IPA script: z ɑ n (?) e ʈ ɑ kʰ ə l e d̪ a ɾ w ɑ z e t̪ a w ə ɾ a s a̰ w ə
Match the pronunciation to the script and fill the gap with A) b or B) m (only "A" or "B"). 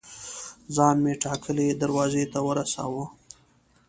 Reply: B